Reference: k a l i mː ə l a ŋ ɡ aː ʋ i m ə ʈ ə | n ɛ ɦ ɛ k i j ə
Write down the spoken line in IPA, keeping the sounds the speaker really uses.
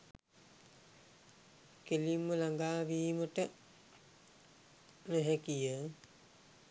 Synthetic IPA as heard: k e l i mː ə l a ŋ ɡ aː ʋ iː m ə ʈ ə | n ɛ ɦ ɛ k i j ə